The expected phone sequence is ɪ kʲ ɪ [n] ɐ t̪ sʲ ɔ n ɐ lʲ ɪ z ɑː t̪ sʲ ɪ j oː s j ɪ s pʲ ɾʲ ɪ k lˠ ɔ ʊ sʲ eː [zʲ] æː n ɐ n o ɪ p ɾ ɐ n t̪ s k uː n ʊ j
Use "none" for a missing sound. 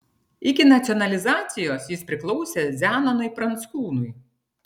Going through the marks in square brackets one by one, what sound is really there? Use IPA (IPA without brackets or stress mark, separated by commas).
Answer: n, zʲ